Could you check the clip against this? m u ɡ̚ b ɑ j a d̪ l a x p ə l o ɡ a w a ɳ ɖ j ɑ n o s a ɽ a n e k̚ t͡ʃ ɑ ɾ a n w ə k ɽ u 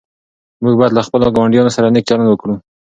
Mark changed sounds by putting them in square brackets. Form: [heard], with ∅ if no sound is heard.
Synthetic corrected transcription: m u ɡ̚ b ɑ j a d̪ l a x p ə l o ɡ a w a ɳ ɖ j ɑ n o s a [ɾ] a n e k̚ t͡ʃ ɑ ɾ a n w ə k ɽ u